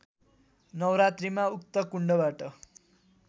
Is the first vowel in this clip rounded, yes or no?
no